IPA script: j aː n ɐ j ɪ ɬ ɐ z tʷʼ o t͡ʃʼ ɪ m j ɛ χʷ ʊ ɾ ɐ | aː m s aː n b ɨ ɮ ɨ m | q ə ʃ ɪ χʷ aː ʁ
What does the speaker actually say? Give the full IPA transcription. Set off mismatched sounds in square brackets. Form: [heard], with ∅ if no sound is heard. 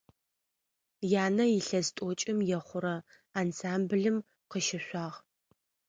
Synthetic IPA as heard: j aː n ɐ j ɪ ɬ ɐ z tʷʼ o t͡ʃʼ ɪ m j ɛ χʷ ʊ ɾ ɐ | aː [n] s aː [m] b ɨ ɮ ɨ m | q ə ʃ ɪ [ɕʷ] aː ʁ

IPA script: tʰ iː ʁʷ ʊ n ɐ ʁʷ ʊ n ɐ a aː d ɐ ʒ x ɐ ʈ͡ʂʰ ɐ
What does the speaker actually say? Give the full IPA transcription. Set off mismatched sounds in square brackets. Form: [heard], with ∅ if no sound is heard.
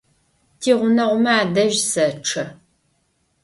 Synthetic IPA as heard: tʰ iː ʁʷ ʊ n ɐ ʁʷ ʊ [m] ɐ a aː d ɐ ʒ [s] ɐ ʈ͡ʂʰ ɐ

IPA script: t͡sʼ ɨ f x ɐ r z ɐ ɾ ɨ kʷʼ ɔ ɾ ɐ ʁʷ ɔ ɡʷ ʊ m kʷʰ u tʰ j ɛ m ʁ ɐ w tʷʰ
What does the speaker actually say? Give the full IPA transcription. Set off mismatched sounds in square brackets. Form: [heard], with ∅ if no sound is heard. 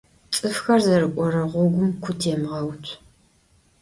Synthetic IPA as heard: t͡sʼ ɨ f x ɐ r z ɐ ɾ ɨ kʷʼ ɔ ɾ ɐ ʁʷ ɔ ɡʷ ʊ m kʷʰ [ʊ] tʰ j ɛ m ʁ ɐ w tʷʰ

